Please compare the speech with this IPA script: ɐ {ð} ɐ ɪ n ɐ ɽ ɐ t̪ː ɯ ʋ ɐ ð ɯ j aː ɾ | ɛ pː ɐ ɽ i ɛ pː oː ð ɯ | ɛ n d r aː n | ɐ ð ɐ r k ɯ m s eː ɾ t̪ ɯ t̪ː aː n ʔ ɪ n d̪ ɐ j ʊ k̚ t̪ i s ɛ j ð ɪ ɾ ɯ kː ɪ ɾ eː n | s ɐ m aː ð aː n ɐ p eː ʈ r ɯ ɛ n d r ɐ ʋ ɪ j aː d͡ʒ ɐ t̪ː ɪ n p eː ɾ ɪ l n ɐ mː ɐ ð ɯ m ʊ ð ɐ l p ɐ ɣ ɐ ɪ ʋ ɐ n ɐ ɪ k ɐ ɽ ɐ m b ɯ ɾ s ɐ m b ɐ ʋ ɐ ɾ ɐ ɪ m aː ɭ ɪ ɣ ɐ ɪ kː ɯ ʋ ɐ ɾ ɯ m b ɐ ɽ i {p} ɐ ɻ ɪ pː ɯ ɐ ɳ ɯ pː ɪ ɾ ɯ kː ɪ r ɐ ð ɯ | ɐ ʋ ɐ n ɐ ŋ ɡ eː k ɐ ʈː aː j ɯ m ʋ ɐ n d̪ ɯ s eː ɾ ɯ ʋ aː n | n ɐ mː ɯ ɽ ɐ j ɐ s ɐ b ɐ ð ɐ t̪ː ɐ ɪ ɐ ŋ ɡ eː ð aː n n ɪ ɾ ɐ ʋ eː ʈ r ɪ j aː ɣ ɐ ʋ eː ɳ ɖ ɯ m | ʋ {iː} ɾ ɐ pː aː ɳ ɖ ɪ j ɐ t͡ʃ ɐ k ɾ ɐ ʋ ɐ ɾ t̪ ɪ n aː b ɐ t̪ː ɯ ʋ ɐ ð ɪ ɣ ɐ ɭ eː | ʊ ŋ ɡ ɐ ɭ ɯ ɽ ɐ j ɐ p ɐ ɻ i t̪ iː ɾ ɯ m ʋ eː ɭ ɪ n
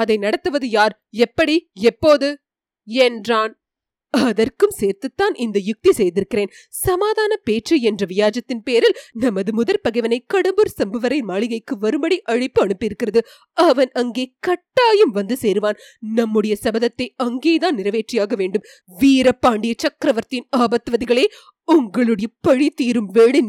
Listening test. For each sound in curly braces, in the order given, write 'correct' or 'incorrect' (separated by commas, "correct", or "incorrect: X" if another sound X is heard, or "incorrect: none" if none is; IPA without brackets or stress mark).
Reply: correct, incorrect: ʔ, correct